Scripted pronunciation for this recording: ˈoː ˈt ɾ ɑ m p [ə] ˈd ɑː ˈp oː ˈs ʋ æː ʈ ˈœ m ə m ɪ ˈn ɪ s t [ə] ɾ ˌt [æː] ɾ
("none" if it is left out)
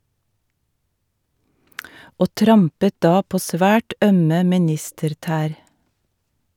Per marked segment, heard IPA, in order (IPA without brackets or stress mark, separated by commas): ə, ə, æː